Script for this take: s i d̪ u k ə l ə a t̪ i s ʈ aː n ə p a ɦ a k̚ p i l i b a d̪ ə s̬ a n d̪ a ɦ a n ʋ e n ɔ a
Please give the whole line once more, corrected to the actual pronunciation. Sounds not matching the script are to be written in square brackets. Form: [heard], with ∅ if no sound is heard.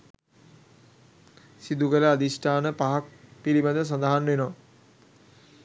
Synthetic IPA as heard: s i d̪ u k ə l ə a [d̪] i s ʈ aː n ə p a ɦ a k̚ p i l i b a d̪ ə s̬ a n d̪ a ɦ a n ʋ e n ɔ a